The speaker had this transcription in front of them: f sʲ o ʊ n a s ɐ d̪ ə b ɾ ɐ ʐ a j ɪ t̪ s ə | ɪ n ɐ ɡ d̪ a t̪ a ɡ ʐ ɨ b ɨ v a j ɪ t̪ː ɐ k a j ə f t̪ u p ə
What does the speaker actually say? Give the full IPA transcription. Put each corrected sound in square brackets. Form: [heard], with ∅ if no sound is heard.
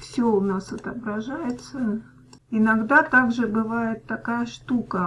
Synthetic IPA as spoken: f sʲ o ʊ n a s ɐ [t̪] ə b ɾ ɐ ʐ a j ɪ t̪ s ə | ɪ n ɐ ɡ d̪ a t̪ a ɡ ʐ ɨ b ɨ v a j ɪ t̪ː ɐ k a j ə [ʂ] t̪ u [k] ə

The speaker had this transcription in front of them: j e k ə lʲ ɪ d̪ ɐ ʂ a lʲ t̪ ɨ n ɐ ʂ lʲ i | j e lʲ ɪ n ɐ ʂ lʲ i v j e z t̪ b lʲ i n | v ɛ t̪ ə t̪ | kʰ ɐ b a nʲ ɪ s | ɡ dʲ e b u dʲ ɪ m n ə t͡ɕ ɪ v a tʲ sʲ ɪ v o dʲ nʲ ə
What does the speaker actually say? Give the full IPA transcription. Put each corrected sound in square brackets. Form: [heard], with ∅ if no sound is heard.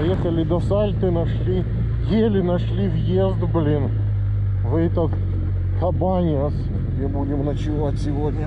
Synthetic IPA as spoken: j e [x] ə lʲ ɪ d̪ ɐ [s] a lʲ t̪ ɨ n ɐ ʂ lʲ i | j e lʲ ɪ n ɐ ʂ lʲ i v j e z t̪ b lʲ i n | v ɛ t̪ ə t̪ | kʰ ɐ b a nʲ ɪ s | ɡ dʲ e b u dʲ ɪ m n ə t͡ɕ ɪ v a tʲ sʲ ɪ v o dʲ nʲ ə

